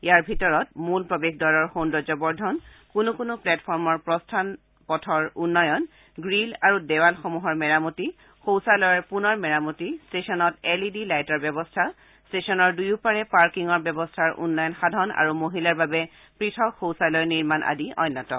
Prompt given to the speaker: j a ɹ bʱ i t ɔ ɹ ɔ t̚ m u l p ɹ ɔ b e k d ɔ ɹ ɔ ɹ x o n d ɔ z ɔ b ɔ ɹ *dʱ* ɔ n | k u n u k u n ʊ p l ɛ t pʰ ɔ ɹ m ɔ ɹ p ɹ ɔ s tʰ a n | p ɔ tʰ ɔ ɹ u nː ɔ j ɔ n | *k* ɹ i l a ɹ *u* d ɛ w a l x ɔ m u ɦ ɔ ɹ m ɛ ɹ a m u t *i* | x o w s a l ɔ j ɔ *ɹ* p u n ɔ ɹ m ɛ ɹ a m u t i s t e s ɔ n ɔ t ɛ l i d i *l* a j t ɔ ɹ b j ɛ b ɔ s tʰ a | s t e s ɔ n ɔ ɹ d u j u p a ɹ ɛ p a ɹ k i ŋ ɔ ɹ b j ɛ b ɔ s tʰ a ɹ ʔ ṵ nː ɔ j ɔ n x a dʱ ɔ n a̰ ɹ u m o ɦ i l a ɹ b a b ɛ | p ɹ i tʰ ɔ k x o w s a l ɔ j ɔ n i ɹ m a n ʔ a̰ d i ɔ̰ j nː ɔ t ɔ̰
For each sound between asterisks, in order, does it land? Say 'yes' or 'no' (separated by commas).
yes, no, yes, yes, yes, yes